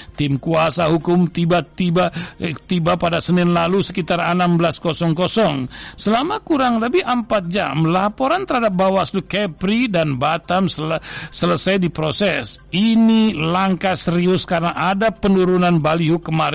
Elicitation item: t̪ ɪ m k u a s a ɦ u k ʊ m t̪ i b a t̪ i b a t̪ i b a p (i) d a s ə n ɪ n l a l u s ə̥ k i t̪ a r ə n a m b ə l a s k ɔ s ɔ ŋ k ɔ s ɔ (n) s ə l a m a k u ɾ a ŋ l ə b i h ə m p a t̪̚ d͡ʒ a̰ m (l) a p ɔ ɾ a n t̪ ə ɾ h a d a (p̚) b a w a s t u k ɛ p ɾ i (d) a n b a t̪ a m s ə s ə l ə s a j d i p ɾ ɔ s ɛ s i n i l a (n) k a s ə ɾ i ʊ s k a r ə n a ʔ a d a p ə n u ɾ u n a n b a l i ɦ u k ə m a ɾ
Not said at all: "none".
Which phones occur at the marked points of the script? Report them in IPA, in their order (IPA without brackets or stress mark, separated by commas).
a, ŋ, l, p̚, d, ŋ